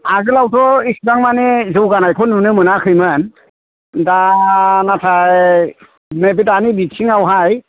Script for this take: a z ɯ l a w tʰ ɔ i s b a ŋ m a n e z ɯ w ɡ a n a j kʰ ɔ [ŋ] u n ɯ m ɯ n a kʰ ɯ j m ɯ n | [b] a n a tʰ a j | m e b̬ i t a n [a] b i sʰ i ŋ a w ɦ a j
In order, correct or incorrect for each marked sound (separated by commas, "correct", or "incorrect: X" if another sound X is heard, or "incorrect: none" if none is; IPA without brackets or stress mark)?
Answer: incorrect: n, incorrect: d, incorrect: i